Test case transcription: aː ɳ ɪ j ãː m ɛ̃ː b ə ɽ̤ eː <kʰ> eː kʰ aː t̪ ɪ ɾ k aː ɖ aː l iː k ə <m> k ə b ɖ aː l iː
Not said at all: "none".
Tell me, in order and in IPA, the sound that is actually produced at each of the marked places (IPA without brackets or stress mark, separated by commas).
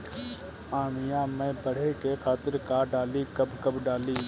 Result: k, b